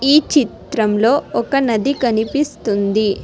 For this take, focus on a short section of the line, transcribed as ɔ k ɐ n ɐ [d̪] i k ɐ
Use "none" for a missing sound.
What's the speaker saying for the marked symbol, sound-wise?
d̪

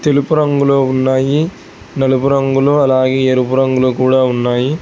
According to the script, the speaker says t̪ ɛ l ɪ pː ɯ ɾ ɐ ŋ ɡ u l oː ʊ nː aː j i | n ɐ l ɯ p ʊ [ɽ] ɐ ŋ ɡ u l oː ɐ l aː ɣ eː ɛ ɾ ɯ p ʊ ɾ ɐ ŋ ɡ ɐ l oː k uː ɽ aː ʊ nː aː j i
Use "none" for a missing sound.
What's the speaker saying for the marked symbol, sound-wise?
ɾ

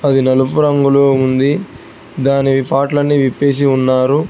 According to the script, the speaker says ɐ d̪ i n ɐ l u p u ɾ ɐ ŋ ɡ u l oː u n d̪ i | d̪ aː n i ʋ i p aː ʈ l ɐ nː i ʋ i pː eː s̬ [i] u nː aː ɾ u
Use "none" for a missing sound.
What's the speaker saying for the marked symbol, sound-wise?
i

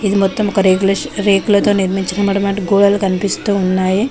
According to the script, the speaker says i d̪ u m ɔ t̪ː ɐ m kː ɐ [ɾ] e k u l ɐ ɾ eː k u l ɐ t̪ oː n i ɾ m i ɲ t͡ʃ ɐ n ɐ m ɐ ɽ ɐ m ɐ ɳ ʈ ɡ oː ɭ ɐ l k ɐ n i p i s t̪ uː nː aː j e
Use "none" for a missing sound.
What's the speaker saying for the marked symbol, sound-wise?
ɾ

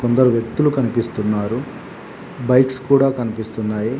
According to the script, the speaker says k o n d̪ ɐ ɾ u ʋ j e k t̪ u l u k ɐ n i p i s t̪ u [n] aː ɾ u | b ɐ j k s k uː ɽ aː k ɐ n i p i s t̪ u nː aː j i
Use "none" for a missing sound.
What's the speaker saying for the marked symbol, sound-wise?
nː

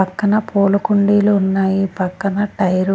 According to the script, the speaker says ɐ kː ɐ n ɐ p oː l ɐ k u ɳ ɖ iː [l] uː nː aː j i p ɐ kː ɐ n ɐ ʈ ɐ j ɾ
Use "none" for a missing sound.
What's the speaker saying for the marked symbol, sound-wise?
l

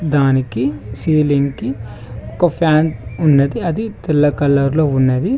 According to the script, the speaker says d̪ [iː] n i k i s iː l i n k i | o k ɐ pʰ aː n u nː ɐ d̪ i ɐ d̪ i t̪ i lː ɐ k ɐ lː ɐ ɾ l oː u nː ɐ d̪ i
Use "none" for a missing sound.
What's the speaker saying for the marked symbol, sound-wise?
aː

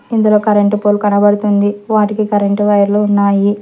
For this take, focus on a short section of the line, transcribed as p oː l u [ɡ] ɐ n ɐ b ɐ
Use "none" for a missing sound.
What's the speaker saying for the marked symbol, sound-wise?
k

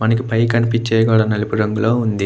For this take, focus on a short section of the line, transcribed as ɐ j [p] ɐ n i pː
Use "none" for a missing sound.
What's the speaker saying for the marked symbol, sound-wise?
k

